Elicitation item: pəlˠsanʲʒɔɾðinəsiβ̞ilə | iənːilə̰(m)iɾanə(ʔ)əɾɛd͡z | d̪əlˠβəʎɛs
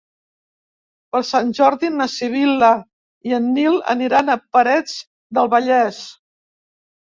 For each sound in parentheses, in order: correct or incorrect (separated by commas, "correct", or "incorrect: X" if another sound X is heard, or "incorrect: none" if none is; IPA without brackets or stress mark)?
incorrect: n, incorrect: p